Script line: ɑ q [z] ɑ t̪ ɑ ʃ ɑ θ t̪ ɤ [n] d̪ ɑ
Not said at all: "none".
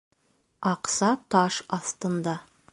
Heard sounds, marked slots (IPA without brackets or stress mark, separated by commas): s, n